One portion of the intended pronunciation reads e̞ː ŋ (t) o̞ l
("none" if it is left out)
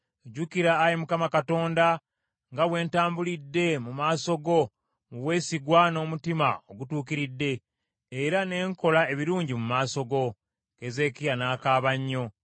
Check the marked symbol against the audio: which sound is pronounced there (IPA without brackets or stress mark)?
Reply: k